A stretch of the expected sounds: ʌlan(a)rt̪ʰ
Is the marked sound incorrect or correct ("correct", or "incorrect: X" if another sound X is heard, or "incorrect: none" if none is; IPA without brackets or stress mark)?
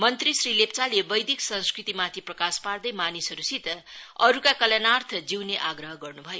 correct